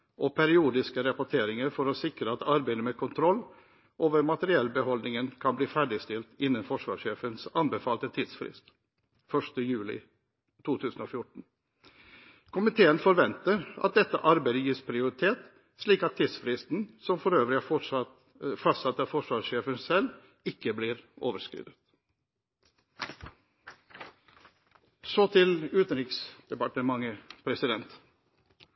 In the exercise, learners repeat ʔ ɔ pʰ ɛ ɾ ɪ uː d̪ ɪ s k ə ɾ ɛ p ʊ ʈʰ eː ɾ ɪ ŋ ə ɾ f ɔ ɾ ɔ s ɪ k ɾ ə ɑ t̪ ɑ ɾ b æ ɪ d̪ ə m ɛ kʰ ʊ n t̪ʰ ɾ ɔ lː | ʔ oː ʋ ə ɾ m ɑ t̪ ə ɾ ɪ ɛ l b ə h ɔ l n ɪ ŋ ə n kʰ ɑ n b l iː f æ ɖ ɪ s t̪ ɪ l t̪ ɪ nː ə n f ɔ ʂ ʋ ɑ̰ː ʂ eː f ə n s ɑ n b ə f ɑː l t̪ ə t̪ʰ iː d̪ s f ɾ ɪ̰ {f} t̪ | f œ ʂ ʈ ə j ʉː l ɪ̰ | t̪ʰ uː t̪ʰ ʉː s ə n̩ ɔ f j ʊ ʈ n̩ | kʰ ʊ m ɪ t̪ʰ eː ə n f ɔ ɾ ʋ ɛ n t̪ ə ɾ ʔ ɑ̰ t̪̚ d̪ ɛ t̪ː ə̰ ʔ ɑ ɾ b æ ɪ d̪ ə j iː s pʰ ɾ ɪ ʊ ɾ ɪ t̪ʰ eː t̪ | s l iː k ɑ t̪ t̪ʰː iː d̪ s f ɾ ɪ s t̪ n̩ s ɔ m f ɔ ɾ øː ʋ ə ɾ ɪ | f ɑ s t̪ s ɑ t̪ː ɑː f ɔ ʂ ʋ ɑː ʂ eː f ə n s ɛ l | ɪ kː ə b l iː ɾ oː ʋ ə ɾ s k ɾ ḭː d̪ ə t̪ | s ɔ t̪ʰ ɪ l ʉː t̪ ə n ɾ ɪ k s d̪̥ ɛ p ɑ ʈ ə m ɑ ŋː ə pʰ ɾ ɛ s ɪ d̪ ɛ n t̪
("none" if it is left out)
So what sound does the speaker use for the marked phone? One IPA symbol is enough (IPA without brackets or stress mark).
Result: s